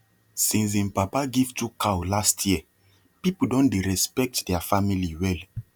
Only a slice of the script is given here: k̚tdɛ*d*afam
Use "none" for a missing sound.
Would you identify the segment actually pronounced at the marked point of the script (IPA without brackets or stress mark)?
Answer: none